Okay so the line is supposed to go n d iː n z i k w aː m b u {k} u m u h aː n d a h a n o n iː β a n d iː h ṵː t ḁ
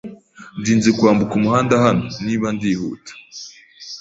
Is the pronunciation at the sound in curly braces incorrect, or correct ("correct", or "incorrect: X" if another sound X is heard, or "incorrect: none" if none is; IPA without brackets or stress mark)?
correct